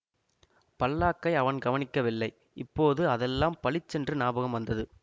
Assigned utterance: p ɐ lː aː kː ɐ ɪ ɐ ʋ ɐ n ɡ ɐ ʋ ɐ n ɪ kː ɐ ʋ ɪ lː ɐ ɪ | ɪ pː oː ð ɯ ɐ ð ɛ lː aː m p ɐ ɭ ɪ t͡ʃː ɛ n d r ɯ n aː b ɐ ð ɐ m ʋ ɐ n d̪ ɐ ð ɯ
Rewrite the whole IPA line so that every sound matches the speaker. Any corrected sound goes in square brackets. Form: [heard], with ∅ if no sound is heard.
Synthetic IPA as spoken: p ɐ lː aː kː ɐ ɪ ɐ ʋ ɐ n ɡ ɐ ʋ ɐ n ɪ kː ɐ ʋ ɪ lː ɐ ɪ | ɪ pː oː ð ɯ ɐ ð ɛ lː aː m p ɐ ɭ ɪ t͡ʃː ɛ n d r ɯ n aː b ɐ [ɣ] ɐ m ʋ ɐ n d̪ ɐ ð ɯ